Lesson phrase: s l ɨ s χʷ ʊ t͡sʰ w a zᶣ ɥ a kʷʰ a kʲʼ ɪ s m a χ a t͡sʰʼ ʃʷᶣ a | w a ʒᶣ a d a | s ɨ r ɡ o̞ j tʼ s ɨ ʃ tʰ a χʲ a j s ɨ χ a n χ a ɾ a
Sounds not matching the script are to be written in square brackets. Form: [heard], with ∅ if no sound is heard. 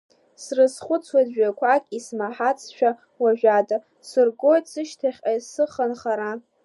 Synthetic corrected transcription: s [r] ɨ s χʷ ʊ t͡sʰ w a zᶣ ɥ a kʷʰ a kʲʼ [i] s m a [ħ] a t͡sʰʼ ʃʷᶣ a | w a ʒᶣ a d a | s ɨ r ɡ o̞ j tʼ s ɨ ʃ tʰ a χʲ a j s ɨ χ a n χ a ɾ a

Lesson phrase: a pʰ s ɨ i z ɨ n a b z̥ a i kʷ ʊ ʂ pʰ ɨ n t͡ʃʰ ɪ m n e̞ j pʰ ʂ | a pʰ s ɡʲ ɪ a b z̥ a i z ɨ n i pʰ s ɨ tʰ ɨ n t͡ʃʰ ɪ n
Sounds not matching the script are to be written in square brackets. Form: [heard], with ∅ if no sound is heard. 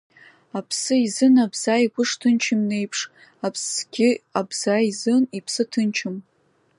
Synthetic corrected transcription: a pʰ s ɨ i z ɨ n a b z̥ a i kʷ ʊ ʂ [tʰ] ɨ n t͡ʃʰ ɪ m n e̞ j pʰ ʂ | a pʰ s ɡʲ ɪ a b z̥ a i z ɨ n i pʰ s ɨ tʰ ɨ n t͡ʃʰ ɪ [m]

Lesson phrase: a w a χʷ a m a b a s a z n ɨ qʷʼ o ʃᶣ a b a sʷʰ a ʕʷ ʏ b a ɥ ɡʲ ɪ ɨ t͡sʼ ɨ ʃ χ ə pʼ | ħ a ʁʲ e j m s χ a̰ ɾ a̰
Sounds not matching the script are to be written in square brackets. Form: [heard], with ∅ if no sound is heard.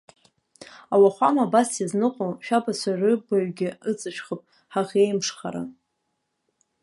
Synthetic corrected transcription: a w a χʷ a m a b a s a z n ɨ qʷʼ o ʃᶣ a b a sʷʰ a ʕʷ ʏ b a ɥ ɡʲ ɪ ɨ t͡sʼ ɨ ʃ χ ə pʼ | ħ a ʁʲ e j m [ʂ] χ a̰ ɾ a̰

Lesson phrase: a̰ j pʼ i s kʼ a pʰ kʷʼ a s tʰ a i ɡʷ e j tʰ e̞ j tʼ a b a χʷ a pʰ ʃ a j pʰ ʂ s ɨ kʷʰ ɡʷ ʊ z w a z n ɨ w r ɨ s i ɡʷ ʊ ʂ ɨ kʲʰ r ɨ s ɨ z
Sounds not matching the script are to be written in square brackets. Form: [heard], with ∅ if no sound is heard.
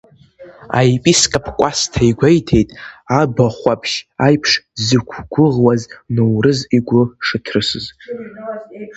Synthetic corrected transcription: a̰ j pʼ i s kʼ a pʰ kʷʼ a s tʰ a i ɡʷ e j tʰ e̞ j tʼ a b a χʷ a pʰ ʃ a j pʰ ʂ [z] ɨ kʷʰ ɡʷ ʊ [ʁ] w a z n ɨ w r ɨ [z] i ɡʷ ʊ ʂ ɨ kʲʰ r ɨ s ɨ z

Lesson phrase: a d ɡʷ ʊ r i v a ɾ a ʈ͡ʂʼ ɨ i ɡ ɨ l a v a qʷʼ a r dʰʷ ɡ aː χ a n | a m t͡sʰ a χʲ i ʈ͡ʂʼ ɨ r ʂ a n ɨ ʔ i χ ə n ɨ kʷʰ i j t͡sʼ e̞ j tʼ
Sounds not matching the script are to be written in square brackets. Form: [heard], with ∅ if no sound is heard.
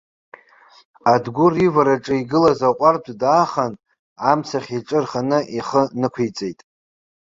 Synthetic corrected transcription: a d ɡʷ ʊ r i v a ɾ a ʈ͡ʂʼ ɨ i ɡ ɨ l a [z] a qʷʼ a r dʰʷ [d] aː χ a n | a m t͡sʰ a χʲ i ʈ͡ʂʼ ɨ r [χ] a n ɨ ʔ i χ ə n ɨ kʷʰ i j t͡sʼ e̞ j tʼ

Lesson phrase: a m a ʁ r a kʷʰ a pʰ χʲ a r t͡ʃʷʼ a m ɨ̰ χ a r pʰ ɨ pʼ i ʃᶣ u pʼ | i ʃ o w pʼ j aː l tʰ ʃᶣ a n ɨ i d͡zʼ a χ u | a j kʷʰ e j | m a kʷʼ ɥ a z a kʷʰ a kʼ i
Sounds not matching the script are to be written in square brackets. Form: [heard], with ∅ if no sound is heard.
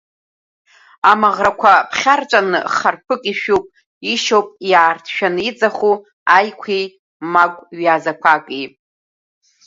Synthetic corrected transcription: a m a ʁ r a kʷʰ a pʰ χʲ a r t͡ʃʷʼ a [n] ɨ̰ χ a r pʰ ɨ [kʼ] i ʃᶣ u pʼ | i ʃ o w pʼ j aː [r] tʰ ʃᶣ a n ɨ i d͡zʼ a χ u | a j kʷʰ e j | m a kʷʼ ɥ a z a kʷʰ a kʼ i

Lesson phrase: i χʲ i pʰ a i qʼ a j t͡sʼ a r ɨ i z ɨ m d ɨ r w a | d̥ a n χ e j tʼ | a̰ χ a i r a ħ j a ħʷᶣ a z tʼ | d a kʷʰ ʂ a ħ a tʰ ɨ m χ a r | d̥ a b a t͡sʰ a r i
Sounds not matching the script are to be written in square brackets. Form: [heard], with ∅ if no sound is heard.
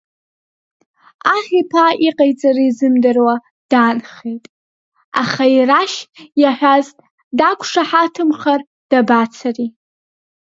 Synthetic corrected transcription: [a] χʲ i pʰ a i qʼ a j t͡sʼ a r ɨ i z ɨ m d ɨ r w a | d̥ a n χ e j tʼ | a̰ χ a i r a [ʃ] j a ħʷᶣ a z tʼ | d a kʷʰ ʂ a ħ a tʰ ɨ m χ a r | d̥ a b a t͡sʰ a r i

